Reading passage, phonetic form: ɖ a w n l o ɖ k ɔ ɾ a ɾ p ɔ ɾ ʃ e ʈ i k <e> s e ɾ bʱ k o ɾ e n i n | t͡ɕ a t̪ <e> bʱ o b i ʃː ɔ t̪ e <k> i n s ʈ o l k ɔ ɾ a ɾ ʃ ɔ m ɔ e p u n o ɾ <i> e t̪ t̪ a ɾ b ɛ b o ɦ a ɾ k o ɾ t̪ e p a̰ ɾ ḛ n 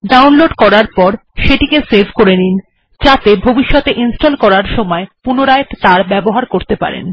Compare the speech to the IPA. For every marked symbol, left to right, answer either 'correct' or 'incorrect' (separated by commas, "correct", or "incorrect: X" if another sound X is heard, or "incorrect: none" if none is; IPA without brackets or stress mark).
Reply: correct, correct, incorrect: ʔ, incorrect: a